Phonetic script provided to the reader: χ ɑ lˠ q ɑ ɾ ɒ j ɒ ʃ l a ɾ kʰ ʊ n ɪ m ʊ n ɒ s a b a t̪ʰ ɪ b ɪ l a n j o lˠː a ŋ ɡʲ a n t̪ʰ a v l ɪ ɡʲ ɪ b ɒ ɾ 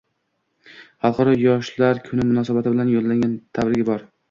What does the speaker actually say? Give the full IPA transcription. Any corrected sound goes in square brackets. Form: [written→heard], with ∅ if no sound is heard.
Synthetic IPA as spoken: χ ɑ lˠ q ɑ ɾ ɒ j ɒ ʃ l a ɾ kʰ ʊ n ɪ m ʊ n ɒ s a b a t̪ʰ ɪ b ɪ l a n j o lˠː a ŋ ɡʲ a n t̪ʰ a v [l→ɾ] ɪ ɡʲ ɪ b ɒ ɾ